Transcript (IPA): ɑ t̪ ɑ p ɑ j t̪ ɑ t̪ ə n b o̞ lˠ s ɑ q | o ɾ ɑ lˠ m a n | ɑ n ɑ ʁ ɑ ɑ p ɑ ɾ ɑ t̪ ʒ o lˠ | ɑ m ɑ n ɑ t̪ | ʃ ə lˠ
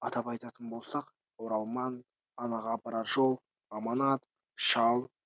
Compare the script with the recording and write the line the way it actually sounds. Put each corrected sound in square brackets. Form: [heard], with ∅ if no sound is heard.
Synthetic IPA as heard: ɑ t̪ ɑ p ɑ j t̪ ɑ t̪ ə n b o̞ lˠ s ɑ q | o ɾ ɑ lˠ m [ɑ] n | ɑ n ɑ ʁ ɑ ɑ p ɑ ɾ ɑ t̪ ʒ o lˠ | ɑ m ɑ n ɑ t̪ | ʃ [ɑ] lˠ